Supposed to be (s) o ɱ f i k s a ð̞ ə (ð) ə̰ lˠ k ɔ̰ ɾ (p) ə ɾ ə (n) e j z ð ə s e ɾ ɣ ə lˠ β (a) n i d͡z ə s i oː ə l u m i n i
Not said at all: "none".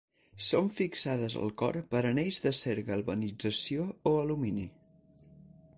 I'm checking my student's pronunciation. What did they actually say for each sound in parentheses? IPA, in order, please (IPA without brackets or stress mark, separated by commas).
s, z, p, n, ə